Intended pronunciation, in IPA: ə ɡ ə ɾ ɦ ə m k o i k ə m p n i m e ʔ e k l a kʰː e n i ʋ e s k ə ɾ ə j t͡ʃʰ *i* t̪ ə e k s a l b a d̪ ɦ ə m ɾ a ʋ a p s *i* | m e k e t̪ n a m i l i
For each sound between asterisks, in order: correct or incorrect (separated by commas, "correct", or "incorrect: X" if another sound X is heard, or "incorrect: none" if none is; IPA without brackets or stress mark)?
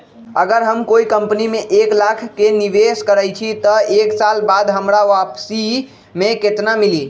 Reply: correct, correct